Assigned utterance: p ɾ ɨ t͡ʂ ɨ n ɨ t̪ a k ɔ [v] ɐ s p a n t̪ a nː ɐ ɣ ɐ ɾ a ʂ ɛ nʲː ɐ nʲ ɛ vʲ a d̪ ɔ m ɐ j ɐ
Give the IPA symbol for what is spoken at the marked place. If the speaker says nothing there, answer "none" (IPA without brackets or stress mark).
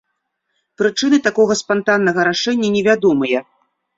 ɣ